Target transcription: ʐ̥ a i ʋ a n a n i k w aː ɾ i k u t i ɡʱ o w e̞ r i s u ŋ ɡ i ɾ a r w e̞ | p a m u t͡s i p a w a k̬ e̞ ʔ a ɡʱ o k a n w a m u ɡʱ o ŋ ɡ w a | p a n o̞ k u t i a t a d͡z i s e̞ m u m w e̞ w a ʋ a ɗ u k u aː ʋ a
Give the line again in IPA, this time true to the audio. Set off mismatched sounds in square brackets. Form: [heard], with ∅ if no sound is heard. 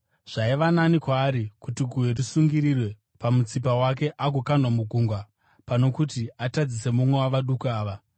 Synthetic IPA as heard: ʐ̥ a i ʋ a n a n i k w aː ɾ i k u t i ɡʱ [u] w e̞ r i s u ŋ ɡ i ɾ [i] r w e̞ | p a m u t͡s i p a w a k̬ e̞ ʔ a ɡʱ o k a n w a m u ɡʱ [u] ŋ ɡ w a | p a n o̞ k u t i a t a d͡z i s e̞ m u m w e̞ w a ʋ a ɗ u k u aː ʋ a